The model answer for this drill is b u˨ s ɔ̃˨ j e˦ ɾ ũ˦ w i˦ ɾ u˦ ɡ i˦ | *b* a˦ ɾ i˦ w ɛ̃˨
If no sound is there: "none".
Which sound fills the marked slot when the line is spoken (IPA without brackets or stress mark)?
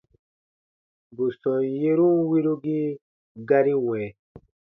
ɡ